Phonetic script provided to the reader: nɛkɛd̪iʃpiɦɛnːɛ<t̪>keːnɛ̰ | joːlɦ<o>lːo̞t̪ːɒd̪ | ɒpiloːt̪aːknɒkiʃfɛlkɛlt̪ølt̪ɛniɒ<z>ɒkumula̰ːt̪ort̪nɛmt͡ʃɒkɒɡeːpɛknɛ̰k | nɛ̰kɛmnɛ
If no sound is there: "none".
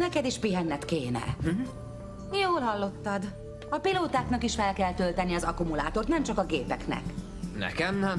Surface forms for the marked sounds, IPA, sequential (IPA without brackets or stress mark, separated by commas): t̪, ɒ, z